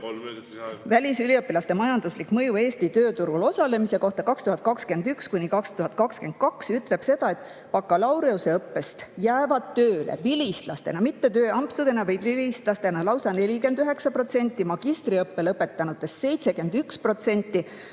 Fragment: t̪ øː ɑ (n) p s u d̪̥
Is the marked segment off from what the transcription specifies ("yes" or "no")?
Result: yes